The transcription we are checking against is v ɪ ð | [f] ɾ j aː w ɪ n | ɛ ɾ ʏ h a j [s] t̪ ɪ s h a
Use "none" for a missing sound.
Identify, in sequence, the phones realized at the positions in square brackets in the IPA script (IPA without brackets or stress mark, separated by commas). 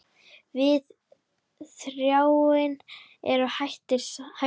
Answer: θ, h